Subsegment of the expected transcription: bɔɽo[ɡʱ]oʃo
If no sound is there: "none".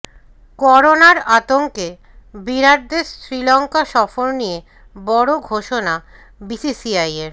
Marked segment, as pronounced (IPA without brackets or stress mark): ɡʱ